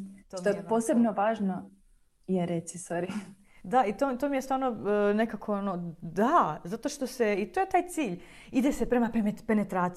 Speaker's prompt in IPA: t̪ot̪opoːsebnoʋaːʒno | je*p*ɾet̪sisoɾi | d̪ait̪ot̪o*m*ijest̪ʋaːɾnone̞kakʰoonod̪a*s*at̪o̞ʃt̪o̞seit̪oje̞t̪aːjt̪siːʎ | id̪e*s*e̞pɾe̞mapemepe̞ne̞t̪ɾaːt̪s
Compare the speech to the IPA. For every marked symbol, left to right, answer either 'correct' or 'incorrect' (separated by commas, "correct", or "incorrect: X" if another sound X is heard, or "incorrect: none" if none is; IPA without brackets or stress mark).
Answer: incorrect: none, correct, incorrect: z, correct